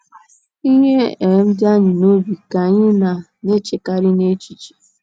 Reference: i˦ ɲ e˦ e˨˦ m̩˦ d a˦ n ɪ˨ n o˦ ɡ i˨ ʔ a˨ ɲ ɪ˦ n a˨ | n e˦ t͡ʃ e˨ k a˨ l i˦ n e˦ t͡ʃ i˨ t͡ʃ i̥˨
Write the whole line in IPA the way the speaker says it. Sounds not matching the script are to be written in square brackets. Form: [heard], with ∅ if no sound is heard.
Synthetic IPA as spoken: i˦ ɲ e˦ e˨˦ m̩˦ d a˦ [ɲ] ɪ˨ n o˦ [b] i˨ [k] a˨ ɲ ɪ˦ n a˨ | n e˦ t͡ʃ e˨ k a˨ [ɾ] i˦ n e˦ t͡ʃ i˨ t͡ʃ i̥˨